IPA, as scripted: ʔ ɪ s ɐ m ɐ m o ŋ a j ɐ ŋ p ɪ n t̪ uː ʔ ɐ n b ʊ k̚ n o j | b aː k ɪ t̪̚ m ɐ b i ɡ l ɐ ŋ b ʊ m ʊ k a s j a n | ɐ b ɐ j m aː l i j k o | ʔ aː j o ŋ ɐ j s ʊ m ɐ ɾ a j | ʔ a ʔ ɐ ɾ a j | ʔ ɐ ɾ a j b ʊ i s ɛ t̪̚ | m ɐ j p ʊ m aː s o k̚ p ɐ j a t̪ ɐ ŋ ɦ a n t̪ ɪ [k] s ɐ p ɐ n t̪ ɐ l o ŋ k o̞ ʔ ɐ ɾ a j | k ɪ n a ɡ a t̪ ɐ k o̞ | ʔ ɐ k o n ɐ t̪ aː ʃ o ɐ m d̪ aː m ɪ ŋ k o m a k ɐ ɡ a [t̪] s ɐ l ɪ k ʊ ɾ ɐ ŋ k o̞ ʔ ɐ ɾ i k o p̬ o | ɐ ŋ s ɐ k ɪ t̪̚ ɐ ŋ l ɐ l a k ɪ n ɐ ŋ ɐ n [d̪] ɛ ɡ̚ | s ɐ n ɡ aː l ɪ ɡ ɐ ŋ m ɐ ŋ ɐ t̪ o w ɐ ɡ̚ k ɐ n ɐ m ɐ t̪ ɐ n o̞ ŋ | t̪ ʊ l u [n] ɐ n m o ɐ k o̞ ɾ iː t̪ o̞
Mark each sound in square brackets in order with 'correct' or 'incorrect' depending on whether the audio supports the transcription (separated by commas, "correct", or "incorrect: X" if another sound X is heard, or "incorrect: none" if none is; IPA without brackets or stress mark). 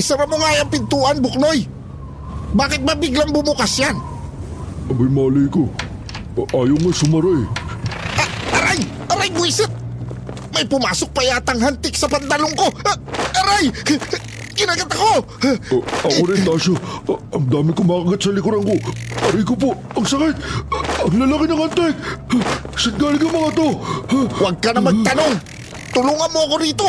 correct, correct, incorrect: t̪, incorrect: ŋ